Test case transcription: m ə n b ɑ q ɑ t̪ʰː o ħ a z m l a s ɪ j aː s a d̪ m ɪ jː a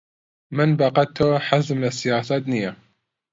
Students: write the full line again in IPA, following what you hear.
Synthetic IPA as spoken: m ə n b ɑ q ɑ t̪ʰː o ħ a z m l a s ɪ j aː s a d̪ n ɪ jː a